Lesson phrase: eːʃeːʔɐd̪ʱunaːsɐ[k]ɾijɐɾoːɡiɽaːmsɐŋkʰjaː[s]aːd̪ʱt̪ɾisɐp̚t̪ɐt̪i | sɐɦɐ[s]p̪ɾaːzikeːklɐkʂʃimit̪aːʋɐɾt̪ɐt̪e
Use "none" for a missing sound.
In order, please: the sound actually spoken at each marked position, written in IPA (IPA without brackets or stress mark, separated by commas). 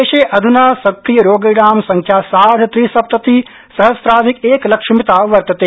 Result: k, s, s